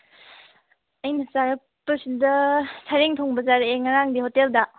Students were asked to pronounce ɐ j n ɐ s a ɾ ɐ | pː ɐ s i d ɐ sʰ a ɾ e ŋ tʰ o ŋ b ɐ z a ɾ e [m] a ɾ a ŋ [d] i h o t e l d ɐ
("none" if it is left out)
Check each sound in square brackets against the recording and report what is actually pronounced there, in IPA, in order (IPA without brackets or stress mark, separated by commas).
ŋ, d